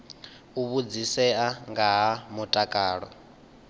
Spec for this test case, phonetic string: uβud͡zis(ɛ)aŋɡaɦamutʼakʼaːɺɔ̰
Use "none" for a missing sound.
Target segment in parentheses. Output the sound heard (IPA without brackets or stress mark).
ɛ